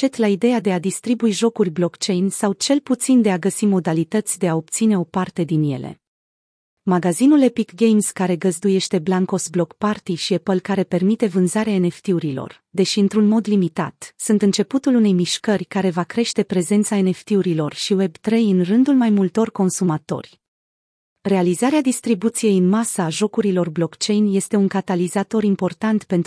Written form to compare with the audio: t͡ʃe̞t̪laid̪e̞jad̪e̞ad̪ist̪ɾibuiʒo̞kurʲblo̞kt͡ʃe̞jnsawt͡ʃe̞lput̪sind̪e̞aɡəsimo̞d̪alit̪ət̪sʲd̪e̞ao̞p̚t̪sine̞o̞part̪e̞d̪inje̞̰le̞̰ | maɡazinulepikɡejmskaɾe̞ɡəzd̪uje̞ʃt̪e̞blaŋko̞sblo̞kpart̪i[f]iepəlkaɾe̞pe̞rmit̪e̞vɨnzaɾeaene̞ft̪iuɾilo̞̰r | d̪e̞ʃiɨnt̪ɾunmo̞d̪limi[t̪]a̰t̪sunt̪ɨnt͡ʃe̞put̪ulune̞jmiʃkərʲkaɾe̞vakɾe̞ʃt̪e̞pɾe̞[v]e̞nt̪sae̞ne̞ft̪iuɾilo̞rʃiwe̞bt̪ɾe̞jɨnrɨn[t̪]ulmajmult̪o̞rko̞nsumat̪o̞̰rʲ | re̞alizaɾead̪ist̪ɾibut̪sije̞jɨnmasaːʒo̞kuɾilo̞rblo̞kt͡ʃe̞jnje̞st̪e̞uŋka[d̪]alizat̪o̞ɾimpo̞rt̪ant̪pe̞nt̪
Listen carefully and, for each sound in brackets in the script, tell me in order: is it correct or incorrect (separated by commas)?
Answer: incorrect, correct, incorrect, incorrect, incorrect